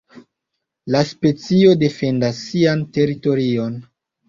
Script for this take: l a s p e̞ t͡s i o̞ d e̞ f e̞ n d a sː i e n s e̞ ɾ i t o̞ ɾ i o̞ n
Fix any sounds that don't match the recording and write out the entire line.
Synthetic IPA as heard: l a s p e̞ t͡s i o̞ d e̞ f e̞ n d a sː i a n t e̞ ɾ i t o̞ ɾ i o̞ n